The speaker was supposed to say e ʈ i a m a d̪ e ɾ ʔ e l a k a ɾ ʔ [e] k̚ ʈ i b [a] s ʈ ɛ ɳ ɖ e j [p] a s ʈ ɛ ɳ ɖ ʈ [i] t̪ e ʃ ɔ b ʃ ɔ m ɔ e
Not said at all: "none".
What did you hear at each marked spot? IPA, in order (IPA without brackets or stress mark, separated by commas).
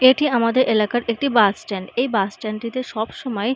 e, a, b, i